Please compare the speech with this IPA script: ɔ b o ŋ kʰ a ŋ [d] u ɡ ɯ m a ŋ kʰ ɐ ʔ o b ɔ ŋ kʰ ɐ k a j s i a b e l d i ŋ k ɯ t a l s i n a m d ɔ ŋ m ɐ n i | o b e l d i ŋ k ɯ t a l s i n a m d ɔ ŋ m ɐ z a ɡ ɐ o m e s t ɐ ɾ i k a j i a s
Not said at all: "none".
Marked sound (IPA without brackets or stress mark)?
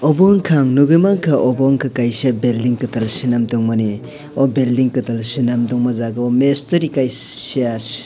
n